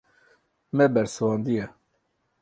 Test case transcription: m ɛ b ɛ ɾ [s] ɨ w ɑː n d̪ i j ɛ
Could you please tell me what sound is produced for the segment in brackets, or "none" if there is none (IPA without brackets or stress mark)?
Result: s